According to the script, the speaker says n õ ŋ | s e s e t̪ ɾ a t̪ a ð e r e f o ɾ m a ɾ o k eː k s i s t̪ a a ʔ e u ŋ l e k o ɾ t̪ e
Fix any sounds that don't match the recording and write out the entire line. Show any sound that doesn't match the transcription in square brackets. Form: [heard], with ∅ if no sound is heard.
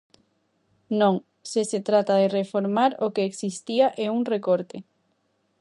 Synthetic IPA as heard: n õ ŋ | s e s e t̪ ɾ a t̪ a ð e r e f o ɾ m a ɾ o k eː k s i s t̪ [i] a ʔ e u ŋ [r] e k o ɾ t̪ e